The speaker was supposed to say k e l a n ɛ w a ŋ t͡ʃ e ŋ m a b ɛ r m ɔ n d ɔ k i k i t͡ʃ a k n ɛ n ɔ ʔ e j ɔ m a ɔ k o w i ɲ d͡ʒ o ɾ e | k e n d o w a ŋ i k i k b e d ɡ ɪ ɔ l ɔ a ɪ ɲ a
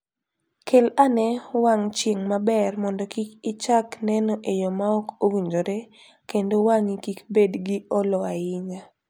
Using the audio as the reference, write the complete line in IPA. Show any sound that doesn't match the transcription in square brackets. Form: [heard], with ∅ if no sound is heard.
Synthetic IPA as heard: k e l a n ɛ w a ŋ t͡ʃ e ŋ m a b ɛ r m ɔ n d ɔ k i k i t͡ʃ a k n ɛ n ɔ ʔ e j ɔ m a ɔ k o w i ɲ d͡ʒ o ɾ e | k e n d o w a ŋ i k i k b e d ɡ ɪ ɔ l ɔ a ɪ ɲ a